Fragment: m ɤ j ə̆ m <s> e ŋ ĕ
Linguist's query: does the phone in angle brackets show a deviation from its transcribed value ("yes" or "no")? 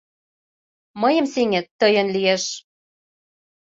no